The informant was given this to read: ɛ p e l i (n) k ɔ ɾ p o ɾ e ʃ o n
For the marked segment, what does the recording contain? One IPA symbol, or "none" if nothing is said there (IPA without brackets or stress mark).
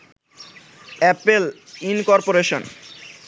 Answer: n